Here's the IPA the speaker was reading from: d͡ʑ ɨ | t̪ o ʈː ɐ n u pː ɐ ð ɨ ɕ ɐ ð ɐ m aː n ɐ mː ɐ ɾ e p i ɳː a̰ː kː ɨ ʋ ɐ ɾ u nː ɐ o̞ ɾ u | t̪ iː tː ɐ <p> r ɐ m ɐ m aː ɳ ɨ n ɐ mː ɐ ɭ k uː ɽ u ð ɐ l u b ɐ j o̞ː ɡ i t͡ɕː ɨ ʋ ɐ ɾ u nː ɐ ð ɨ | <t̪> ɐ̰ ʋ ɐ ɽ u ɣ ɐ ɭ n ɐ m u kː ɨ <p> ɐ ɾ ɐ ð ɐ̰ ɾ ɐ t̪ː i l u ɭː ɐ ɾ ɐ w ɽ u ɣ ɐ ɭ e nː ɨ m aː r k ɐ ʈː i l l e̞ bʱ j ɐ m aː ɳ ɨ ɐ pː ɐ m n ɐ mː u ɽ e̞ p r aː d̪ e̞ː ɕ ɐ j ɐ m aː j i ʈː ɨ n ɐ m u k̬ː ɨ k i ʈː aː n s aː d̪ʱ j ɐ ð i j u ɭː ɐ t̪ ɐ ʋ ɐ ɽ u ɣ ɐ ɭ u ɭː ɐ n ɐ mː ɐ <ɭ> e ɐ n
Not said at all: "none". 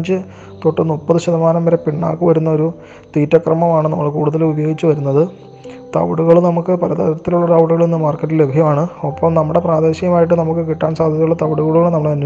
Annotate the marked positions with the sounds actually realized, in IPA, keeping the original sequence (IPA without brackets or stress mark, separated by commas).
k, t̪, p, ɽ